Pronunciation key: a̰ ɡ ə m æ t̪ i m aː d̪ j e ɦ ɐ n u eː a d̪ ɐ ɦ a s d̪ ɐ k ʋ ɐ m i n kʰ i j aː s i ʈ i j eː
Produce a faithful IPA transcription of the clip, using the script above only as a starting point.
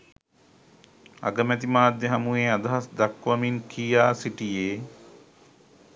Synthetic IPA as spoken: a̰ ɡ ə m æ t̪ i m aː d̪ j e ɦ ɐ m u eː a d̪ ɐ ɦ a s d̪ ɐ k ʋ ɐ m i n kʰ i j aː s i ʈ i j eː